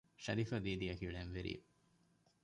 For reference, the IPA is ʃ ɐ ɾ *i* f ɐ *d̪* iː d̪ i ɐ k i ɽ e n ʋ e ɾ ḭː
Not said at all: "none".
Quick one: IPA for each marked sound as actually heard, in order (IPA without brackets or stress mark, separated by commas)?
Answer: i, d̪